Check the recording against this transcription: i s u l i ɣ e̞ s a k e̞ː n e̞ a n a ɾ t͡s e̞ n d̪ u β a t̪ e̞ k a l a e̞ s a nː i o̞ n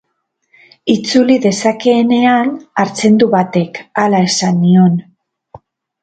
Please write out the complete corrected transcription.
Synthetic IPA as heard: i t͡s u l i ð e̞ s a k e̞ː n e̞ a n a ɾ t͡s e̞ n d̪ u β a t̪ e̞ k a l a e̞ s a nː i o̞ n